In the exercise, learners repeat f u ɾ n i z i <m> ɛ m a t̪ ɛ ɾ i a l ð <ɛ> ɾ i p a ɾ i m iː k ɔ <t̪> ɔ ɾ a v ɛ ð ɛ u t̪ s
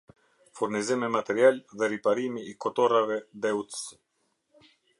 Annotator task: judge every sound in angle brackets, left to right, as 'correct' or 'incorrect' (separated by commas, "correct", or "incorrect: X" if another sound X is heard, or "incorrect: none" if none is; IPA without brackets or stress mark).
correct, correct, correct